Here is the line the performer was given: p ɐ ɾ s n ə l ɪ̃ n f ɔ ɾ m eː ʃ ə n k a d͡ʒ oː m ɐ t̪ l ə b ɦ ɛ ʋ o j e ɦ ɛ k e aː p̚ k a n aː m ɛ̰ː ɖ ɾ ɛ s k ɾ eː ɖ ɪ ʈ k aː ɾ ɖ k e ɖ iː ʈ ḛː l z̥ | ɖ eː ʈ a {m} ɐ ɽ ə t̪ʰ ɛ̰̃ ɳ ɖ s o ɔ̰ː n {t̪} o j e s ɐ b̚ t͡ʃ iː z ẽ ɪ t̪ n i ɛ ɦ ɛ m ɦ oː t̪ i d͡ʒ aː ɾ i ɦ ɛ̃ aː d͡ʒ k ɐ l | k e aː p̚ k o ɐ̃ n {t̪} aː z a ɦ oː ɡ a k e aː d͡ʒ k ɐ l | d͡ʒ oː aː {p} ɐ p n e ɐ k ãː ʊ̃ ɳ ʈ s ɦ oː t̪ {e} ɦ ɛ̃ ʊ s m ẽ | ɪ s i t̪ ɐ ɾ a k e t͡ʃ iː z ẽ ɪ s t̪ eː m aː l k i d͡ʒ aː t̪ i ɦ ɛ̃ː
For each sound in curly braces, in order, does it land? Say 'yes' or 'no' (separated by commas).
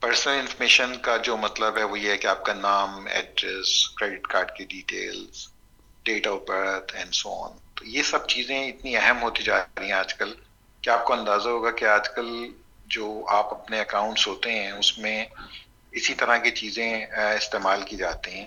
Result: no, yes, no, yes, yes